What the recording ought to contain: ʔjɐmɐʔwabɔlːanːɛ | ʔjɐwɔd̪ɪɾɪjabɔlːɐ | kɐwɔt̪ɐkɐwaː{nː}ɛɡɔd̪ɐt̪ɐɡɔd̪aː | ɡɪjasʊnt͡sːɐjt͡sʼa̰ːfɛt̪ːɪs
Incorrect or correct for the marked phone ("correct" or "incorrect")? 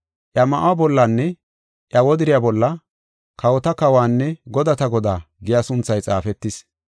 correct